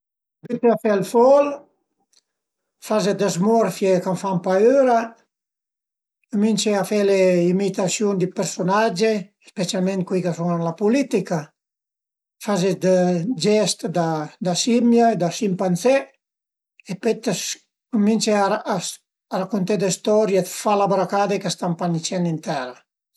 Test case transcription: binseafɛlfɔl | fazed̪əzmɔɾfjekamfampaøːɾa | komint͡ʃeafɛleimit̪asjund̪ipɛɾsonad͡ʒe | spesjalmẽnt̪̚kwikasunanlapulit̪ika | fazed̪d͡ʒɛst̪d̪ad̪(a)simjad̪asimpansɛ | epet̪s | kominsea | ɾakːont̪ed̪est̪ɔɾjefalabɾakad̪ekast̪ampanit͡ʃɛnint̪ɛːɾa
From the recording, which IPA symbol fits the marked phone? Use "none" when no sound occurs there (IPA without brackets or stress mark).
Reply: a